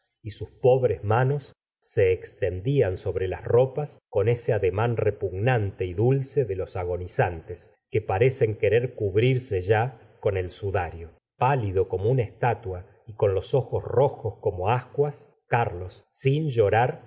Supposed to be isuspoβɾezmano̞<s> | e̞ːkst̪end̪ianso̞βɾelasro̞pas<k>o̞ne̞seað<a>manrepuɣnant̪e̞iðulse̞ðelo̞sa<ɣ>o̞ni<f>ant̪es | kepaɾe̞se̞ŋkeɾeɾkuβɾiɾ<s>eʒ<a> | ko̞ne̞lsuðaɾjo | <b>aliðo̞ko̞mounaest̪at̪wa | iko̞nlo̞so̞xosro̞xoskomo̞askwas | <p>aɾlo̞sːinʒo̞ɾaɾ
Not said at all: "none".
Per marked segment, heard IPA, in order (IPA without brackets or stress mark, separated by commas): sː, k, e, ɣ, s, s, a, p, k